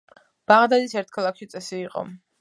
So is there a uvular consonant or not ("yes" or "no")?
yes